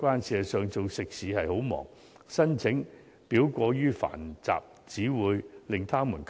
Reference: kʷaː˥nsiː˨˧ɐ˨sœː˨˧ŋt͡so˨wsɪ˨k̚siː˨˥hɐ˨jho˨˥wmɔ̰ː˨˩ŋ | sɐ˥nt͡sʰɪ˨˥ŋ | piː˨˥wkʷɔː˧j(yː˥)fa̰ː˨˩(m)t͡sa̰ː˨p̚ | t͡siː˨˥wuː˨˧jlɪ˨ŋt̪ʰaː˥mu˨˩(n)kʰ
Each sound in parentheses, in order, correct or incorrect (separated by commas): correct, incorrect, correct